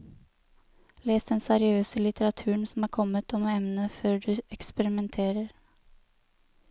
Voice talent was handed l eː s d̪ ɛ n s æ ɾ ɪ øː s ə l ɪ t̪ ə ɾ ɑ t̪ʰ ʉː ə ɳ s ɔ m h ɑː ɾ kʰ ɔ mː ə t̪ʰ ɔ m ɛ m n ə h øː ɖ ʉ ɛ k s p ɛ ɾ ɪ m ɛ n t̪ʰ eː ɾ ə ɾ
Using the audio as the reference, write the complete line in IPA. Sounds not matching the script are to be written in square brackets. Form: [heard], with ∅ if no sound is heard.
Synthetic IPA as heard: l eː s d̪ ɛ n s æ ɾ ɪ øː s ə l ɪ t̪ ə ɾ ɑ t̪ʰ ʉː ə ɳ s ɔ m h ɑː ɾ kʰ ɔ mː ə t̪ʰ ɔ m ɛ m n ə [f] øː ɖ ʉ ɛ k s p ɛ ɾ ɪ m ɛ n t̪ʰ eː ɾ ə ɾ